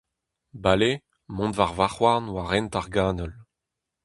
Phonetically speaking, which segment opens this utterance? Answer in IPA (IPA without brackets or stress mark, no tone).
b